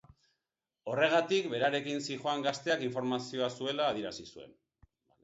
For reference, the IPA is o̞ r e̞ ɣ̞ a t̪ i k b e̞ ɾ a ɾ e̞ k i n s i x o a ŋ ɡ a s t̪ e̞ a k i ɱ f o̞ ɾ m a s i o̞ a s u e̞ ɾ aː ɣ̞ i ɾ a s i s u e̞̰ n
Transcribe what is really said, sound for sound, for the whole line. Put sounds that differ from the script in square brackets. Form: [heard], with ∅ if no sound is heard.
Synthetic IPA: o̞ r e̞ ɣ̞ a t̪ i k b e̞ ɾ a ɾ e̞ k i n s i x o a ŋ ɡ a s t̪ e̞ a k i ɱ f o̞ ɾ m a s i o̞ a s u e̞ [l] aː [ð̞] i ɾ a s i s u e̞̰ n